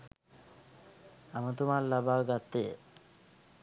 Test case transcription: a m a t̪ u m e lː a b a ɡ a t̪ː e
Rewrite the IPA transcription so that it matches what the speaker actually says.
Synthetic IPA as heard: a m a t̪ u m a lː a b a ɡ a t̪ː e